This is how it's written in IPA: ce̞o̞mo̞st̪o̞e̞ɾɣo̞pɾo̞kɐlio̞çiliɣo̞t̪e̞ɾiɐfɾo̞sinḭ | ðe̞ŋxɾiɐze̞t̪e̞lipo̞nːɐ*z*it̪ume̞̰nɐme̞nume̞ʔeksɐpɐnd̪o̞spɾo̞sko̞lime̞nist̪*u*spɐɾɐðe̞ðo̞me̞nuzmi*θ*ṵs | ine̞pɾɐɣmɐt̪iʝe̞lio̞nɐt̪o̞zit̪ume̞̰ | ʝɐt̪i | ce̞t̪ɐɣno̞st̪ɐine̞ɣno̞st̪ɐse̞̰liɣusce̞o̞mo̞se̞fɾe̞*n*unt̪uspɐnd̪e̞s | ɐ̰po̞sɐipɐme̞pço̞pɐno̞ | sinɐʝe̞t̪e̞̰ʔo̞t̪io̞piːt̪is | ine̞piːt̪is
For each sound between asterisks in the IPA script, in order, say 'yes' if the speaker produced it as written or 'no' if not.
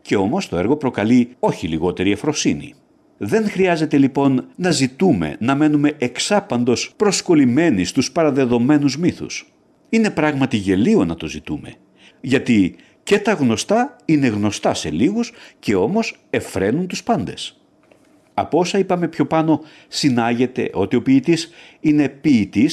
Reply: yes, yes, yes, yes

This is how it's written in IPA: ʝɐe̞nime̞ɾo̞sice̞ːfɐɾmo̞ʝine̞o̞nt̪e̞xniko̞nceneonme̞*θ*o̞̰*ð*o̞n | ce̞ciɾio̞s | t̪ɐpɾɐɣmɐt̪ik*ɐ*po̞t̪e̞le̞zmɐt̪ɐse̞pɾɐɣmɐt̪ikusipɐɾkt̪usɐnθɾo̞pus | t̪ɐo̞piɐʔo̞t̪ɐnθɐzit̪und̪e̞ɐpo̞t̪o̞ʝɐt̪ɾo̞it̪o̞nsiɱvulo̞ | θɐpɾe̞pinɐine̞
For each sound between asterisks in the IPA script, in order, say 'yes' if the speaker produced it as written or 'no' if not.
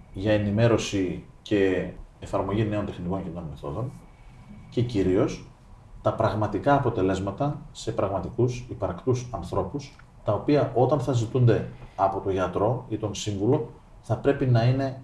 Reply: yes, yes, no

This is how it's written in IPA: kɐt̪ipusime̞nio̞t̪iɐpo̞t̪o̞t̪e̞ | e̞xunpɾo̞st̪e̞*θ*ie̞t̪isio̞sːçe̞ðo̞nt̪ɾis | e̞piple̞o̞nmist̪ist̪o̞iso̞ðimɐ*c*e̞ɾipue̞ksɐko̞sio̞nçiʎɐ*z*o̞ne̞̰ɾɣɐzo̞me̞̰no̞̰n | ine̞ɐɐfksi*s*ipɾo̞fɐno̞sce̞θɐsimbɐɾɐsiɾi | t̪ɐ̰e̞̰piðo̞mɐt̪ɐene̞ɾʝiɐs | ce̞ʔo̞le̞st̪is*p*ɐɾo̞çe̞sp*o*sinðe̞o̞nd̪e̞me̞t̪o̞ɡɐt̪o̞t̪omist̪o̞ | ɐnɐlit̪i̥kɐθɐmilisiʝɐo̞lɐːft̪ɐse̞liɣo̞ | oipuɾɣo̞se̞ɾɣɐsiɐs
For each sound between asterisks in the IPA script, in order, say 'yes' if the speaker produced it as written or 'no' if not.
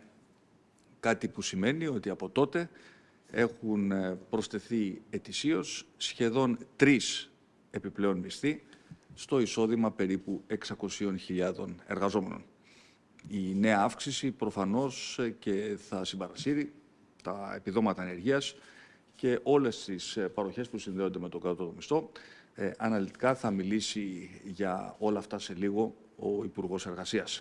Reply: yes, no, no, yes, yes, no

